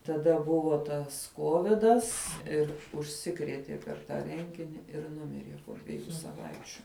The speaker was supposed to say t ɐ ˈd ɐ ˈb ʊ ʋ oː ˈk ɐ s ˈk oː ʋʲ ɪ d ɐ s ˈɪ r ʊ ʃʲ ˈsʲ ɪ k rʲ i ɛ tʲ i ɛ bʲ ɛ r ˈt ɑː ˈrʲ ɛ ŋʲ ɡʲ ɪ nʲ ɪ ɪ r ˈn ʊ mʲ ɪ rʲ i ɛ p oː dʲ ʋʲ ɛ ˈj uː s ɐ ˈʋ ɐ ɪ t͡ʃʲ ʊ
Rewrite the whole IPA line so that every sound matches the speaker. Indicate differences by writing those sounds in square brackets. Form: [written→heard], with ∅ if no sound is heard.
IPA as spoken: t ɐ ˈd ɐ ˈb ʊ ʋ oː [ˈk→ˈt] ɐ s ˈk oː ʋʲ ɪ d ɐ s ˈɪ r ʊ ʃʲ ˈsʲ ɪ k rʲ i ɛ tʲ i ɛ [bʲ→pʲ] ɛ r ˈt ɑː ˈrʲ ɛ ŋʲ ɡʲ ɪ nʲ ɪ ɪ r ˈn ʊ mʲ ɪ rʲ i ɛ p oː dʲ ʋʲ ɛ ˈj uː s ɐ ˈʋ ɐ ɪ t͡ʃʲ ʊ